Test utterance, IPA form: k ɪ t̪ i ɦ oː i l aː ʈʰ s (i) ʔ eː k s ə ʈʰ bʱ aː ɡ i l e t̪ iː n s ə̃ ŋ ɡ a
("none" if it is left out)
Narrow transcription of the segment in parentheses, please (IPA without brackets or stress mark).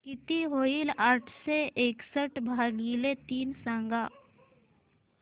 e